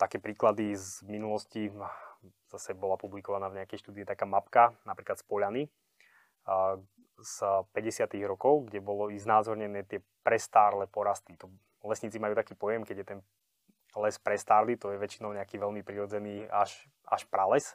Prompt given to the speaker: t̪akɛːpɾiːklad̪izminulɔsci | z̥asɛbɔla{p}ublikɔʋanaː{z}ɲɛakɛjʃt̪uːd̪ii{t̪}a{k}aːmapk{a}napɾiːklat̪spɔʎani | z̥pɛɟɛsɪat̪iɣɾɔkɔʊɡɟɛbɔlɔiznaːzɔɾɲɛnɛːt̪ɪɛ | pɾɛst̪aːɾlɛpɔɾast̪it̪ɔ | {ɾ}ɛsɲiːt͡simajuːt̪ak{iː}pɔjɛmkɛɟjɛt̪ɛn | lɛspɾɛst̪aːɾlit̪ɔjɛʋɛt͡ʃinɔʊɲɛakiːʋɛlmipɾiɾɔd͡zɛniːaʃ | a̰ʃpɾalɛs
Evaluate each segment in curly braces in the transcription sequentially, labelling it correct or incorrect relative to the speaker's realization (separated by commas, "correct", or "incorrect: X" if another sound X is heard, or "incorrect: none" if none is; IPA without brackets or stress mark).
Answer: correct, incorrect: v, correct, correct, correct, incorrect: l, correct